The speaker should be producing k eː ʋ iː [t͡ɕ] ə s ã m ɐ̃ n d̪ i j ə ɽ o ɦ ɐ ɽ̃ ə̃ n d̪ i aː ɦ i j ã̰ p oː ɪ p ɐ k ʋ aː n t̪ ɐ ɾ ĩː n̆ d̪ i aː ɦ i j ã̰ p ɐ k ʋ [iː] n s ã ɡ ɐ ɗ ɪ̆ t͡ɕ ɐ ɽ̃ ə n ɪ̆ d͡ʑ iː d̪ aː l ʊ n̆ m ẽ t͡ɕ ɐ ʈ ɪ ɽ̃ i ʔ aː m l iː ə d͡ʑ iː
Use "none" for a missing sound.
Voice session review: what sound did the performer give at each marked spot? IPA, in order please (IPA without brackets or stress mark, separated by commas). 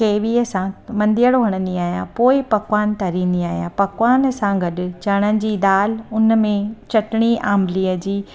none, aː